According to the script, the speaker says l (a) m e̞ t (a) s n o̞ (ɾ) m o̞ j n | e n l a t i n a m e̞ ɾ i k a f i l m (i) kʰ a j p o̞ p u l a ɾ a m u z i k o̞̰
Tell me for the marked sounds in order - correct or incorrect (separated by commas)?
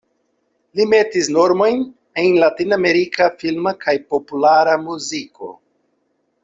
incorrect, incorrect, correct, incorrect